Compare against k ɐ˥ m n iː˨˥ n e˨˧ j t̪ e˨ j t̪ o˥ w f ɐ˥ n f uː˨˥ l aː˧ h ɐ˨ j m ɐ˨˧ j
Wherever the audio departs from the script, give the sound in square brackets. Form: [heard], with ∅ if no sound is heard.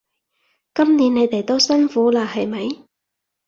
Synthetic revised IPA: k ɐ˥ m n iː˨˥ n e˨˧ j t̪ e˨ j t̪ o˥ w [s] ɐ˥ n f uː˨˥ l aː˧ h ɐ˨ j m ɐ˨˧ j